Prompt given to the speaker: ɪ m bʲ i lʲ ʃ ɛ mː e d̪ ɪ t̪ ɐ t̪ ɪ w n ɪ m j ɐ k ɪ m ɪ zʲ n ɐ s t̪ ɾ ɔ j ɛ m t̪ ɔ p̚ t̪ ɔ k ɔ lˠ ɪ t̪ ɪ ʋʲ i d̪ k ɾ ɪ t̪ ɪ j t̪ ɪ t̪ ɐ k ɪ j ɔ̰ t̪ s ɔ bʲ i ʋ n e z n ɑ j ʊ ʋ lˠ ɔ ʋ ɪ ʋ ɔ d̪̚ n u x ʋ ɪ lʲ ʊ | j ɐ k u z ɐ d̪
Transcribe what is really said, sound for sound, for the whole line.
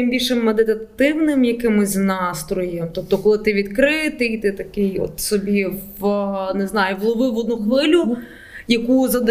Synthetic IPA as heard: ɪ m bʲ i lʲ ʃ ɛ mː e d̪ ɪ t̪ ɐ t̪ ɪ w n ɪ m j ɐ k ɪ m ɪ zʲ n ɑ s t̪ ɾ ɔ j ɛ m t̪ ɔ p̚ t̪ ɔ k ɔ lˠ ɪ t̪ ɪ ʋʲ i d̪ k ɾ ɪ t̪ ɪ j t̪ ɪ t̪ ɐ k ɪ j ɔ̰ t̪ s ɔ bʲ i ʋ n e z n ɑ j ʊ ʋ lˠ ɔ ʋ ɪ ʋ ɔ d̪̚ n u x ʋ ɪ lʲ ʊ | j ɐ k u z ɐ d̪